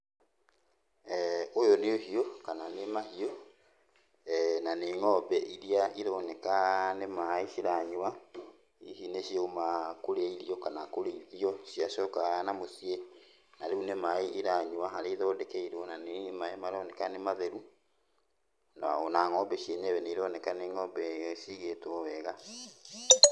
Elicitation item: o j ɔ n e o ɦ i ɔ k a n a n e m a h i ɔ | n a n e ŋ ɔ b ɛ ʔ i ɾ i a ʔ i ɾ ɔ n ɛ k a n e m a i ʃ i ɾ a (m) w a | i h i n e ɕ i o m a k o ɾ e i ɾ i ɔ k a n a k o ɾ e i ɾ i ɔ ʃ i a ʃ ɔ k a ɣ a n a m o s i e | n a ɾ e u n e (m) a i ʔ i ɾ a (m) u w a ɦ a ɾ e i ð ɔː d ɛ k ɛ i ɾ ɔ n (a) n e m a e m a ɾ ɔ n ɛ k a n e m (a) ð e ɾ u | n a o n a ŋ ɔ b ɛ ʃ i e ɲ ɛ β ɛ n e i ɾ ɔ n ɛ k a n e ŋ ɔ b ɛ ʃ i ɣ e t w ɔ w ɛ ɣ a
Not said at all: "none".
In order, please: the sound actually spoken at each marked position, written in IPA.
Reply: ɲ, m, ɲ, a, a

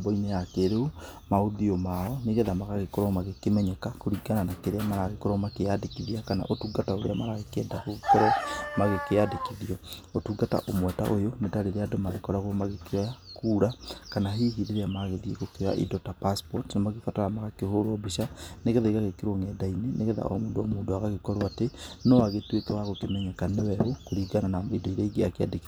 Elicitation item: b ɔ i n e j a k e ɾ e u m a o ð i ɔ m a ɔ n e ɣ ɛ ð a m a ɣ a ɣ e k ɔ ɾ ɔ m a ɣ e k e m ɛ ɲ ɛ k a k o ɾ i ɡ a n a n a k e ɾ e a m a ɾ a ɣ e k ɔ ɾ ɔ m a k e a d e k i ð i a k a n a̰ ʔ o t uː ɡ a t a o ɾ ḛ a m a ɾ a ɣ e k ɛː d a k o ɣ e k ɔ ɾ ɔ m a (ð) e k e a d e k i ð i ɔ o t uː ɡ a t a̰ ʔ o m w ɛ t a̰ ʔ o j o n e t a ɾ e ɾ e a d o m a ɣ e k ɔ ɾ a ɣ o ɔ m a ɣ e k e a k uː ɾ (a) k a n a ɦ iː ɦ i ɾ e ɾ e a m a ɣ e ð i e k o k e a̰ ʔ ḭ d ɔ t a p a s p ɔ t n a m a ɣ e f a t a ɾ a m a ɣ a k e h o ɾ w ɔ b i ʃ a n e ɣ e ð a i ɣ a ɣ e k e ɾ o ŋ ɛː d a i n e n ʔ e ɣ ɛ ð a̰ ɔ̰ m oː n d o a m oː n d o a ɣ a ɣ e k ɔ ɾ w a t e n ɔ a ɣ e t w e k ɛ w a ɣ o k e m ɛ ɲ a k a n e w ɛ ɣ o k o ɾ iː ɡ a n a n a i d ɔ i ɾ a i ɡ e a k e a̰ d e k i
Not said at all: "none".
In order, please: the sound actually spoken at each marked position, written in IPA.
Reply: ɣ, a

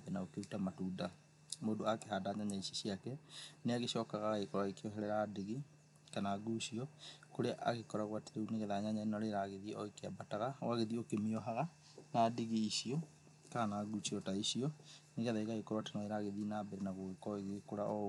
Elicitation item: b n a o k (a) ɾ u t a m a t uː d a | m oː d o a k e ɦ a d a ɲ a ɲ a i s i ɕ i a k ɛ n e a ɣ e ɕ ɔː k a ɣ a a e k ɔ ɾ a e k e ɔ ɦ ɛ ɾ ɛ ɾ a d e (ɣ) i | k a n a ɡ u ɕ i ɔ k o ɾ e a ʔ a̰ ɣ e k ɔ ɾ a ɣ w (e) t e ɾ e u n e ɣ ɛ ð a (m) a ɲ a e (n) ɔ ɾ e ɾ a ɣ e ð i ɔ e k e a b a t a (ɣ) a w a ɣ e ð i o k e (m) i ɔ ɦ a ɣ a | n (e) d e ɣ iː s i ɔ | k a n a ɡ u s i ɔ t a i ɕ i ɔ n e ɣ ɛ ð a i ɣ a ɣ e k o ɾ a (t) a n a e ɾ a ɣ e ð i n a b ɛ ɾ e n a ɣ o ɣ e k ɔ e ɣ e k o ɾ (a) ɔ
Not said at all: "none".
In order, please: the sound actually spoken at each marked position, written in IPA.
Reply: e, ɣ, a, ɲ, n, ɣ, m, a, t, a

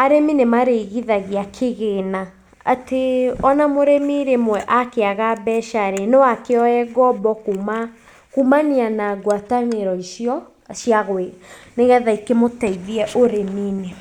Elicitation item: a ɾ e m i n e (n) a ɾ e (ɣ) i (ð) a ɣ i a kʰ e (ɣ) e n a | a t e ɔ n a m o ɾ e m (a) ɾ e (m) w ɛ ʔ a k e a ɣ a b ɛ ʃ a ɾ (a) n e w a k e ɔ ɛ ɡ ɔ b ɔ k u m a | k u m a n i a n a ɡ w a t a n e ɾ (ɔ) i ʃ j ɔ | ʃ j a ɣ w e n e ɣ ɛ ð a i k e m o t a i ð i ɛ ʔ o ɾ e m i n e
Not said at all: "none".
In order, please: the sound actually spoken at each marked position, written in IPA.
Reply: m, ɣ, ð, ɣ, i, m, e, ɔ

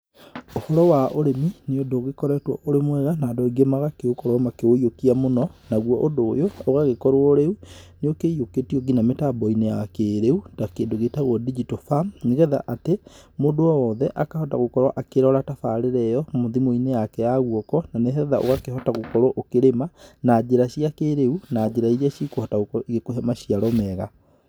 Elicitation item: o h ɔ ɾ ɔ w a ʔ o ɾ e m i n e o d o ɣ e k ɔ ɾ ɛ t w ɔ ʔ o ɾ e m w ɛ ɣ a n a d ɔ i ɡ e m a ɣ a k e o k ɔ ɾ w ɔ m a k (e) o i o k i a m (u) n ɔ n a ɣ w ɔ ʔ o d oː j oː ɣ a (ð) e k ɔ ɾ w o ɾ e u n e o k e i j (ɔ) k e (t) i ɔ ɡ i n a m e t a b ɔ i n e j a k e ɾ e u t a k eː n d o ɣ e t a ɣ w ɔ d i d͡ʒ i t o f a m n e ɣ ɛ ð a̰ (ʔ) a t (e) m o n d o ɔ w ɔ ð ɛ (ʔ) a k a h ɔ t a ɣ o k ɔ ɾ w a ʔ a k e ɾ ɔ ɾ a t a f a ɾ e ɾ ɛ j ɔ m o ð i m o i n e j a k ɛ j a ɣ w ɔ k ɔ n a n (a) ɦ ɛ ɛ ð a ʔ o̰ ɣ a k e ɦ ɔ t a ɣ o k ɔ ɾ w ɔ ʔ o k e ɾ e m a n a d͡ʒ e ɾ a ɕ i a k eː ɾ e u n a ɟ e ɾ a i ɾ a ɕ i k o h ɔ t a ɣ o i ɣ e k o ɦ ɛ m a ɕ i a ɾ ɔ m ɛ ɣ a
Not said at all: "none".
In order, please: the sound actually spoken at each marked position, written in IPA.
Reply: e, o, ɣ, o, t, ʔ, e, ʔ, e

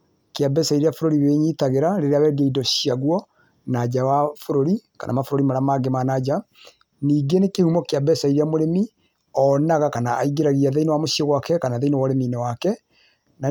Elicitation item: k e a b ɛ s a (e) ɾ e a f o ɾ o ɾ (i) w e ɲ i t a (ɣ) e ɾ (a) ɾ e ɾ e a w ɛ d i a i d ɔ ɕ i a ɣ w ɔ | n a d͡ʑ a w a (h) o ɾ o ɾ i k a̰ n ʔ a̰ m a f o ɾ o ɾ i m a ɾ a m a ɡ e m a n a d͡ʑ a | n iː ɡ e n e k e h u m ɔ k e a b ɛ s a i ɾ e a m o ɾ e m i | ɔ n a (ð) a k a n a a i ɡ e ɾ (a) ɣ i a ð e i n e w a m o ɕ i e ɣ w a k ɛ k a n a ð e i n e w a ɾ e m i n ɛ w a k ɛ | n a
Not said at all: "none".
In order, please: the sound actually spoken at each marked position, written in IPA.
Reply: i, i, ɣ, a, f, ɣ, a

